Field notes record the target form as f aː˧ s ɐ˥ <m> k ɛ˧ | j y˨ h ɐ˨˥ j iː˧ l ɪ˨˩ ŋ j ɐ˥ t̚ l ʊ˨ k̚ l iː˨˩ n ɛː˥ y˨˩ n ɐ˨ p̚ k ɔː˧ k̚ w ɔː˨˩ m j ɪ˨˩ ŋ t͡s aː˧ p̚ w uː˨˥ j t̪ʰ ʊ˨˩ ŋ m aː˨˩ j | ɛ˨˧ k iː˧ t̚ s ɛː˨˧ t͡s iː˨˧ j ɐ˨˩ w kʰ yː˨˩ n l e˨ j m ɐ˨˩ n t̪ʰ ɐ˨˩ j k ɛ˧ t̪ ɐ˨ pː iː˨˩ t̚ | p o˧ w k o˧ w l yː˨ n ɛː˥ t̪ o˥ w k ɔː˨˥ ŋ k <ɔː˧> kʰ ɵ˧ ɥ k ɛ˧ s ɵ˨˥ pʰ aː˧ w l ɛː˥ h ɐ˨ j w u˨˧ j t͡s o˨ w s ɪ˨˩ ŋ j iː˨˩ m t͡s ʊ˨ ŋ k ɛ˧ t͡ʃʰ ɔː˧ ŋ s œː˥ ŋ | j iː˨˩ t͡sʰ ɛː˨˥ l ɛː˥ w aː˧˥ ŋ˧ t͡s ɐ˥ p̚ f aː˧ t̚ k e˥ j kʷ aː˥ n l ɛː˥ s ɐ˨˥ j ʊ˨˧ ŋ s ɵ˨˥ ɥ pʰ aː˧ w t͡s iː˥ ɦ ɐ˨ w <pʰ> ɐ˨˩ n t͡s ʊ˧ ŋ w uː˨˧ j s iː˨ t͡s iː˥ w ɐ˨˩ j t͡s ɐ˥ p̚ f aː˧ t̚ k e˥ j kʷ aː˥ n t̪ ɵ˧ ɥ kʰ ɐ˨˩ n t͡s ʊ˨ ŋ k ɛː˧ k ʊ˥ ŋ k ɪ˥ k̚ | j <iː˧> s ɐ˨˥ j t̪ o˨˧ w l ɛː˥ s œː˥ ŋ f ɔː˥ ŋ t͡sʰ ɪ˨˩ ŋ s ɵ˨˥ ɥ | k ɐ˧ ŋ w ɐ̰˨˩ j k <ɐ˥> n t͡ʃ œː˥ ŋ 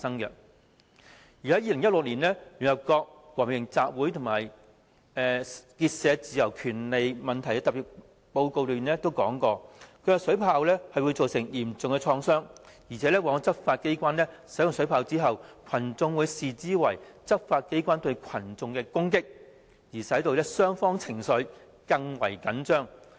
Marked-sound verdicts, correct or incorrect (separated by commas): incorrect, correct, incorrect, incorrect, incorrect